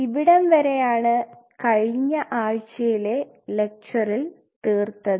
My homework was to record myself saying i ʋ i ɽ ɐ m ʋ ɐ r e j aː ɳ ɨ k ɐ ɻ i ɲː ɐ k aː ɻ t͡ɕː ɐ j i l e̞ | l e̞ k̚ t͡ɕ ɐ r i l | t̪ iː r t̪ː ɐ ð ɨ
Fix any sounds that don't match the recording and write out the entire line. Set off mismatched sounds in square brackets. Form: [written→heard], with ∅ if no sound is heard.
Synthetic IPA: i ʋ i ɽ ɐ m ʋ ɐ [r→ɾ] e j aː ɳ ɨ k ɐ ɻ i ɲː ɐ [k→ʔ] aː ɻ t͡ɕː ɐ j i l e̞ | l e̞ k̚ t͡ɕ ɐ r i l | t̪ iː r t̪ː ɐ ð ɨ